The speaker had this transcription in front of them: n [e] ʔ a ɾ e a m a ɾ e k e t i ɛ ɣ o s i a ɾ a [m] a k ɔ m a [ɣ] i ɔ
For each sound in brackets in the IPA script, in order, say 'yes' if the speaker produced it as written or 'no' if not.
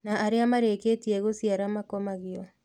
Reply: no, yes, yes

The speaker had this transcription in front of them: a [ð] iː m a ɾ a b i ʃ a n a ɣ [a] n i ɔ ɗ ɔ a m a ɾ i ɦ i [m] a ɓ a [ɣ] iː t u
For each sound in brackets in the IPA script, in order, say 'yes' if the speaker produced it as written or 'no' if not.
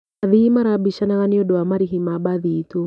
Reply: yes, yes, yes, no

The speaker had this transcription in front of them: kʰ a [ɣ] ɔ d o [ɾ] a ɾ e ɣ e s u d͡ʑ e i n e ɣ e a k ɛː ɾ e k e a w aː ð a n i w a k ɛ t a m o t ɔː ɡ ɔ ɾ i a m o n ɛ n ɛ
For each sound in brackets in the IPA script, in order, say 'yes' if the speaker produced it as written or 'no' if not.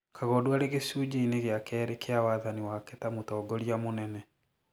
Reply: yes, no

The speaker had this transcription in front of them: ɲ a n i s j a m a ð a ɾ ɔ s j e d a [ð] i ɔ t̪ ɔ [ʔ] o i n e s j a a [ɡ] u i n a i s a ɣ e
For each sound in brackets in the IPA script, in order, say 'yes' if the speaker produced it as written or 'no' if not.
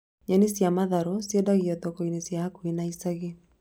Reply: no, no, no

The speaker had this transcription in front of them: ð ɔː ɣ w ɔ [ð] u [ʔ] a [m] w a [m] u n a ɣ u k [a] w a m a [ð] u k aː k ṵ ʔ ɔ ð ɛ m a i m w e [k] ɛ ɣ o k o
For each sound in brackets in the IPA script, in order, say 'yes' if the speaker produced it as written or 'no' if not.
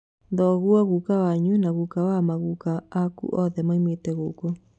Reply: no, no, no, no, yes, no, no

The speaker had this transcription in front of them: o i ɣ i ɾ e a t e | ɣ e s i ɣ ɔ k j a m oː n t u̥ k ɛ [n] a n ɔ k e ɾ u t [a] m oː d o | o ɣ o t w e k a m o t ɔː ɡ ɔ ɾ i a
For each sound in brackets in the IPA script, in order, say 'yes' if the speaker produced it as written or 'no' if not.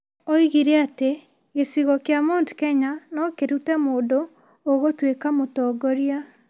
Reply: no, no

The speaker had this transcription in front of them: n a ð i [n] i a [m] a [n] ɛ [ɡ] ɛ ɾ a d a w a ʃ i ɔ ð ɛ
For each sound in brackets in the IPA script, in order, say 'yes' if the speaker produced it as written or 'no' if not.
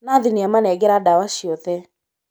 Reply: yes, yes, yes, yes

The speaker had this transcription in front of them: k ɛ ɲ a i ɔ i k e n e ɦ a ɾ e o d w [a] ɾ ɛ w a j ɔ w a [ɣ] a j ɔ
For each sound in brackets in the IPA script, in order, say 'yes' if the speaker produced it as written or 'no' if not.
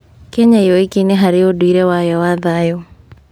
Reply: no, no

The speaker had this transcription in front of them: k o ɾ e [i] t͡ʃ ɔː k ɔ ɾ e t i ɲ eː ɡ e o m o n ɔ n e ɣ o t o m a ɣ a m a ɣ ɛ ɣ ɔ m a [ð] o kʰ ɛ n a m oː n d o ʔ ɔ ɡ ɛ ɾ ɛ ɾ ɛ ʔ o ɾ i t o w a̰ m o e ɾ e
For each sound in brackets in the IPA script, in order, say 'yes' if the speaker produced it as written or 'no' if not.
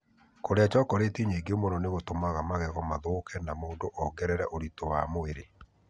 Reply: no, yes

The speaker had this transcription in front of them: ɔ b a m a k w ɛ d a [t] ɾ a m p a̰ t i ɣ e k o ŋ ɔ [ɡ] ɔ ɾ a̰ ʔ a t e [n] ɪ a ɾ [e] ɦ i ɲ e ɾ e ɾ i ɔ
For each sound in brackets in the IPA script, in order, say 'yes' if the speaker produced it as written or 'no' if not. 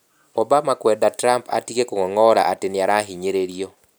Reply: yes, no, yes, no

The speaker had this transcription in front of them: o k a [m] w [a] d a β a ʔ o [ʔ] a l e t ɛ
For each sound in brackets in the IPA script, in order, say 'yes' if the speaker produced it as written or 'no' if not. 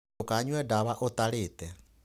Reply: no, no, no

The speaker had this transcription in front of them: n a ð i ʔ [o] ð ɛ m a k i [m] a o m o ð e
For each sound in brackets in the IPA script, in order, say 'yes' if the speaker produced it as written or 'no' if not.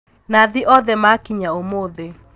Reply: no, no

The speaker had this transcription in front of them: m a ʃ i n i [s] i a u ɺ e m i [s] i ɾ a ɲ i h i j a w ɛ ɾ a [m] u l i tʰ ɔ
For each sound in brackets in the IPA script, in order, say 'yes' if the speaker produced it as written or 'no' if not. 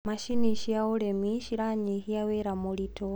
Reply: no, no, yes

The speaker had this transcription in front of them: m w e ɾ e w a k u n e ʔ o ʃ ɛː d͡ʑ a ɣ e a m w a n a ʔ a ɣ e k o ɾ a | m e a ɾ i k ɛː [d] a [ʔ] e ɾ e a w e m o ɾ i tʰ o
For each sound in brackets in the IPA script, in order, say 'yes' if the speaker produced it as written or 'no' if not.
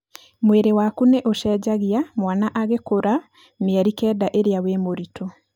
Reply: yes, yes

